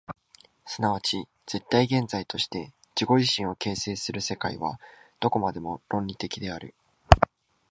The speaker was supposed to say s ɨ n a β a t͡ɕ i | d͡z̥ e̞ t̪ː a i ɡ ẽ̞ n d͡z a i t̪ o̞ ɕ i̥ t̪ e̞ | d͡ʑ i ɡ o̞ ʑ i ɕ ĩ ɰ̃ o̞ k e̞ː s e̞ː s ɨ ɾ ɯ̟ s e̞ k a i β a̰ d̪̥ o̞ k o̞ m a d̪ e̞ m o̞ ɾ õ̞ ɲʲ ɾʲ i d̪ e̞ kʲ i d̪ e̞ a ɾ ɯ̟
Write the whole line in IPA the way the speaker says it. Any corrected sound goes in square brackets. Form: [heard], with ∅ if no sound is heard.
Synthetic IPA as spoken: s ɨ n a β a t͡ɕ i | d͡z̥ e̞ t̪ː a i ɡ ẽ̞ n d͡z a i t̪ o̞ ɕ i̥ t̪ e̞ | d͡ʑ i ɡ o̞ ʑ i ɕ ĩ ɰ̃ o̞ k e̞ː s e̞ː s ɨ ɾ ɯ̟ s e̞ k a i β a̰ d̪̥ o̞ k o̞ m a d̪ e̞ m o̞ ɾ õ̞ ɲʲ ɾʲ i [t̪] e̞ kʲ i d̪ e̞ a ɾ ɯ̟